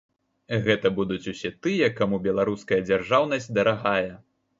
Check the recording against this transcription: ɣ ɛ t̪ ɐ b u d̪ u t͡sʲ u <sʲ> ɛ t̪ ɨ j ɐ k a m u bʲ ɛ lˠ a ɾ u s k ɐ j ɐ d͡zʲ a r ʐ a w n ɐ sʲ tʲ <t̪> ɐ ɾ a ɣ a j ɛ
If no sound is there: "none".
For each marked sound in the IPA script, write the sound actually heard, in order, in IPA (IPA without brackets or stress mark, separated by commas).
sʲ, d̪